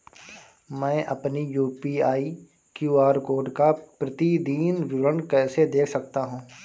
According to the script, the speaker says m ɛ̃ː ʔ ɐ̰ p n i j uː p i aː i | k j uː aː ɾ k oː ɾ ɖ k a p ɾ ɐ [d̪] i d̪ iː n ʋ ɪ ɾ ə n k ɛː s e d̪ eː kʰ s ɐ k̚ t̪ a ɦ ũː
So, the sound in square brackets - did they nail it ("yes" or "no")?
no